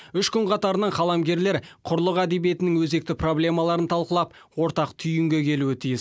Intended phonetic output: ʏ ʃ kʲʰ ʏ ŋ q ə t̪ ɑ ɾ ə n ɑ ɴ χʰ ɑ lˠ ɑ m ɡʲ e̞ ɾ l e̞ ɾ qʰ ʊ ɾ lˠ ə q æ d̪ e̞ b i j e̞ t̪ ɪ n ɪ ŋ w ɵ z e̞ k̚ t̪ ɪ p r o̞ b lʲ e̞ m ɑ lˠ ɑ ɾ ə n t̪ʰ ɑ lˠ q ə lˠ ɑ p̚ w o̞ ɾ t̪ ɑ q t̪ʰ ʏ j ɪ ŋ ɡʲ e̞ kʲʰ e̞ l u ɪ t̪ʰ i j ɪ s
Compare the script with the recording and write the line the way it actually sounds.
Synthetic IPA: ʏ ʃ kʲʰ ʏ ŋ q ɑ t̪ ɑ ɾ ə n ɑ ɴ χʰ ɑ lˠ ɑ m ɡʲ e̞ ɾ l e̞ ɾ qʰ ʊ ɾ lˠ ə q æ d̪ e̞ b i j e̞ t̪ ɪ n ɪ ŋ w ɵ z e̞ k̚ t̪ ɪ p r o̞ b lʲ e̞ m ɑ lˠ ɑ ɾ ə n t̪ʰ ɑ lˠ q ə lˠ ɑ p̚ w o̞ ɾ t̪ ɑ q t̪ʰ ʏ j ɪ ŋ ɡʲ e̞ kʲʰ e̞ l u ɪ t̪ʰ i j ɪ s